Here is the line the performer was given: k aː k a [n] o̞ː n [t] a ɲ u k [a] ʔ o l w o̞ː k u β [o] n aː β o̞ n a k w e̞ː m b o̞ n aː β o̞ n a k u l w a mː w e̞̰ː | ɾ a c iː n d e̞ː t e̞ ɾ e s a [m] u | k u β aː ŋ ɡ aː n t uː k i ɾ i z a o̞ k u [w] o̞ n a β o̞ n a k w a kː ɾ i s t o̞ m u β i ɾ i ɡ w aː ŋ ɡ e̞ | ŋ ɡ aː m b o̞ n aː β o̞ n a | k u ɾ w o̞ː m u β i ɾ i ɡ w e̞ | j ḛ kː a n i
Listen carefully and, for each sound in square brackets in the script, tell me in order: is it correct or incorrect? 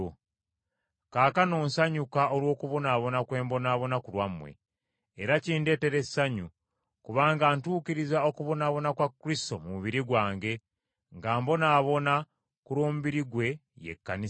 correct, incorrect, correct, correct, incorrect, incorrect

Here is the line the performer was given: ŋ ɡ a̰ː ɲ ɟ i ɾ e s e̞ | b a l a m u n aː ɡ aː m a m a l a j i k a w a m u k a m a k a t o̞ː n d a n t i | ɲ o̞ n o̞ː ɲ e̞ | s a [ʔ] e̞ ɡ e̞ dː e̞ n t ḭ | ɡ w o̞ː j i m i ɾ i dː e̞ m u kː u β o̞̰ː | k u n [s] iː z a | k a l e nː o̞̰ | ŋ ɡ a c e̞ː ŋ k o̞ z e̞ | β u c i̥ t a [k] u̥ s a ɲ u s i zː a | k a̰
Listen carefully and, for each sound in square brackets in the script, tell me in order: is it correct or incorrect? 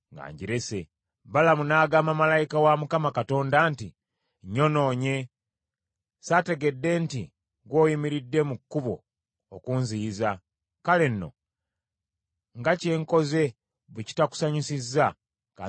incorrect, incorrect, correct

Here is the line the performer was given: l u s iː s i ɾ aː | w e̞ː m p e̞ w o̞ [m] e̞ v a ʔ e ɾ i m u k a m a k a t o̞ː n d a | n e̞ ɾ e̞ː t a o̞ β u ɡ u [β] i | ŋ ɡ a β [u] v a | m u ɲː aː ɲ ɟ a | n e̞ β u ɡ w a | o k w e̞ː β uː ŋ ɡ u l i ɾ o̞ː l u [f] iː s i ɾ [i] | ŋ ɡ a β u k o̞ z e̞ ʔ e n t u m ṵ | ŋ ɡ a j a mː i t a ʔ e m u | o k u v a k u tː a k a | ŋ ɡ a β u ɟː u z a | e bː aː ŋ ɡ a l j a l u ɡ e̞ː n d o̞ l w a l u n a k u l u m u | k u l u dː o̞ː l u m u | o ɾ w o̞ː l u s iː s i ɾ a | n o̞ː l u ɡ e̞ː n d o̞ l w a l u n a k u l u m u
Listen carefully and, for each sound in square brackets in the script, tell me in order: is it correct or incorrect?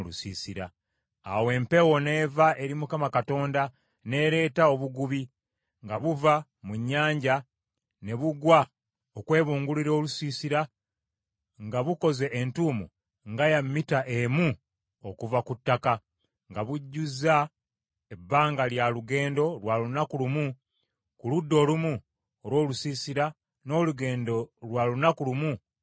incorrect, correct, correct, incorrect, incorrect

